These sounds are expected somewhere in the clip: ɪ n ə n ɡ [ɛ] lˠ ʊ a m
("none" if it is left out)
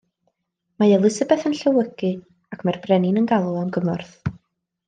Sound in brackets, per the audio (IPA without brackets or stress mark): a